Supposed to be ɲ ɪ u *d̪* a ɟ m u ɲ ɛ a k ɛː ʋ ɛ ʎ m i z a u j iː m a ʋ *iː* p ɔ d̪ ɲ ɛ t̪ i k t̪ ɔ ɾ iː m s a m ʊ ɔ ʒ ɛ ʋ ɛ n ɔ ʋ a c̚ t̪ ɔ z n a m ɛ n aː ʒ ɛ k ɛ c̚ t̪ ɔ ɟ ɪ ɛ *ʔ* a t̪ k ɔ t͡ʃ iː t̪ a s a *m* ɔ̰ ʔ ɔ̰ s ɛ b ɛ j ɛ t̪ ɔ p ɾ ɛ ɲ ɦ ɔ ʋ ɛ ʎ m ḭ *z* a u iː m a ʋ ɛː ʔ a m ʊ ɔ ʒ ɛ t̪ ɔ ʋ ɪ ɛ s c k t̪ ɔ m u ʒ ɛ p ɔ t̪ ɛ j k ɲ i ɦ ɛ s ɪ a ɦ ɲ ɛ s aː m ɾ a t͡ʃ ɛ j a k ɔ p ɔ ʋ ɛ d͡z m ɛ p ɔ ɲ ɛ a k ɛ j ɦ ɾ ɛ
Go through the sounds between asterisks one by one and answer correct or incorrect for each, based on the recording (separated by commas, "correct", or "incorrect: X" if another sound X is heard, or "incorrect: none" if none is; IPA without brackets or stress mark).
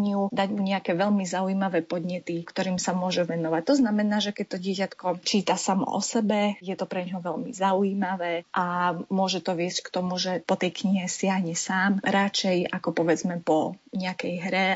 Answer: correct, incorrect: ɛː, incorrect: c, correct, correct